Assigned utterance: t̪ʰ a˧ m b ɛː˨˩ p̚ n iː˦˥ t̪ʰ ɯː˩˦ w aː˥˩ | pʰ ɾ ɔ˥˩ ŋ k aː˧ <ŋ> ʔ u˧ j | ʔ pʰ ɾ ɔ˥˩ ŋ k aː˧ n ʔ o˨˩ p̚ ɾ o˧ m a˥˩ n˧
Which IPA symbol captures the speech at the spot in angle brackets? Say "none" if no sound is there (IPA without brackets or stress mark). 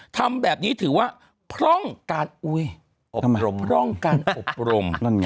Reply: n